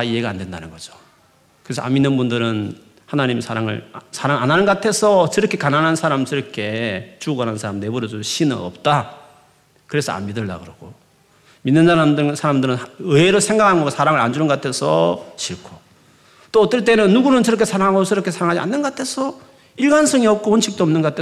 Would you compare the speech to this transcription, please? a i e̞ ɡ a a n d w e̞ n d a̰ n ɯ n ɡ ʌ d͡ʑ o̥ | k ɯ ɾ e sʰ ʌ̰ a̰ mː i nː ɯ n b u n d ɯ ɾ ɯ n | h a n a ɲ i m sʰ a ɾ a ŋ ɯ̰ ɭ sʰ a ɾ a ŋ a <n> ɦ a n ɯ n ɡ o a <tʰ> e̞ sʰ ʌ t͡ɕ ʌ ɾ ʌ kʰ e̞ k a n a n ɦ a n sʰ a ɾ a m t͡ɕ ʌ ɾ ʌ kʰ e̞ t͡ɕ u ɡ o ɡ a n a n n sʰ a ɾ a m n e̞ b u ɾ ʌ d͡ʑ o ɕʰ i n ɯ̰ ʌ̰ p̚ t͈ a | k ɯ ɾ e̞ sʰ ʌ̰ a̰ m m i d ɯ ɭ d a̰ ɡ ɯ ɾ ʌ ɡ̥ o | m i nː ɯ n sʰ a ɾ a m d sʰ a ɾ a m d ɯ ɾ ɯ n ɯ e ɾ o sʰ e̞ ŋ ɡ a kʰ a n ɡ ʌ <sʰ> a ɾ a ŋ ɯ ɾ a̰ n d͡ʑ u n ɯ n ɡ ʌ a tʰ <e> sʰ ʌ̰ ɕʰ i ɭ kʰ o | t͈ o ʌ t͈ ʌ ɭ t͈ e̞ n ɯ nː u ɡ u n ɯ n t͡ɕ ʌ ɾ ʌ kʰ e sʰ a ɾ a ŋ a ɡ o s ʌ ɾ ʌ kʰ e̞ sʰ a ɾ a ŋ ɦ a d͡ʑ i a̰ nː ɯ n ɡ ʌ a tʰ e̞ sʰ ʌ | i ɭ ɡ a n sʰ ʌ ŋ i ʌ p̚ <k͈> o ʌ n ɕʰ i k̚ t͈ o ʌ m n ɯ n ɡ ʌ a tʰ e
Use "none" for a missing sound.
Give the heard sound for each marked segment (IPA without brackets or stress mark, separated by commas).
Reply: n, tʰ, sʰ, e, k͈